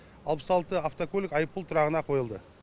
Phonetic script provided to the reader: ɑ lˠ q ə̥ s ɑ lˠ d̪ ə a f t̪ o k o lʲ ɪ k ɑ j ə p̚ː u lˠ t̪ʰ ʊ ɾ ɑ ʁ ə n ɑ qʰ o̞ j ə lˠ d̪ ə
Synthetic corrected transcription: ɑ lˠ p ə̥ s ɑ lˠ t̪ ə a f t̪ o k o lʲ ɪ k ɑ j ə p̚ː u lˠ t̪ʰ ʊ ɾ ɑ ʁ ə n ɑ qʰ o̞ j ə lˠ d̪ ə